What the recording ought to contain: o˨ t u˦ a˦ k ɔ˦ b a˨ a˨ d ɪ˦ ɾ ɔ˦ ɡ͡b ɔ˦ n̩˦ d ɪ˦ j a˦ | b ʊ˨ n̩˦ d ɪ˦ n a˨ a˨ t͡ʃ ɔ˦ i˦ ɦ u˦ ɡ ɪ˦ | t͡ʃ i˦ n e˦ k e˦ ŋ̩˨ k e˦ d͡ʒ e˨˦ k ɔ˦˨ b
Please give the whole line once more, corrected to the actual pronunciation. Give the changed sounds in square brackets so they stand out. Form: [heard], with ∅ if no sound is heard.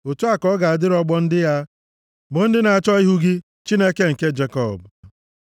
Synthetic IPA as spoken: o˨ t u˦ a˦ k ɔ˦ [ɡ] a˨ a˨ d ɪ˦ ɾ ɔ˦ ɡ͡b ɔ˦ n̩˦ d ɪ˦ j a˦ | b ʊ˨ n̩˦ d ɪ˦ n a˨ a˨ t͡ʃ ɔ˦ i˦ ɦ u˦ ɡ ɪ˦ | t͡ʃ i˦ n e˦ k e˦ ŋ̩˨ k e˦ d͡ʒ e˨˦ k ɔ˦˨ b